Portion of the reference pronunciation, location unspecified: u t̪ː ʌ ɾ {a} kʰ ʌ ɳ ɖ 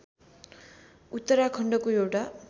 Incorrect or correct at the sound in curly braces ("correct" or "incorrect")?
correct